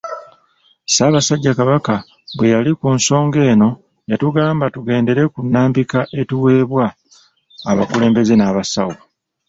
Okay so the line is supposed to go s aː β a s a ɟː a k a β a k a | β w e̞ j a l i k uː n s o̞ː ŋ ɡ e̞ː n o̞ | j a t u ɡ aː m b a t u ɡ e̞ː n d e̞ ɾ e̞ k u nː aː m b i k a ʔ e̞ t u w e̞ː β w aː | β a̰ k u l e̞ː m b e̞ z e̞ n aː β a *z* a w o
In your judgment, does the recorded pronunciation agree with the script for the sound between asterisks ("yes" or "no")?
no